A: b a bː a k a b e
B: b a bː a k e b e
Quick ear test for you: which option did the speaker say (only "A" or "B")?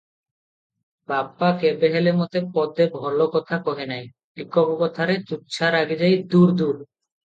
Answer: B